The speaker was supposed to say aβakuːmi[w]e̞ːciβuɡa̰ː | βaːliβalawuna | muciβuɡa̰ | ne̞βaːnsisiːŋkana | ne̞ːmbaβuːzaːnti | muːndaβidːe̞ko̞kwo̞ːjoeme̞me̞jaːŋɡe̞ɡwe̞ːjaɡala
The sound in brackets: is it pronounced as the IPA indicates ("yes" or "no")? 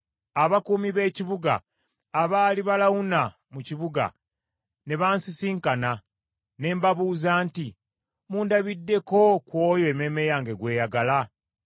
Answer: no